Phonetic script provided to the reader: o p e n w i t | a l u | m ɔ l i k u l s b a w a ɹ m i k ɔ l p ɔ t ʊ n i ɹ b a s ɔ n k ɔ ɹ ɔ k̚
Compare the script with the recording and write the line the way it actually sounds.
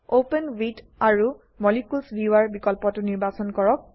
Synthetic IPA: o p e n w i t | a ɹ u | m ɔ l i k u l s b i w a ɹ b i k ɔ l p ɔ t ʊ n i ɹ b a s ɔ n k ɔ ɹ ɔ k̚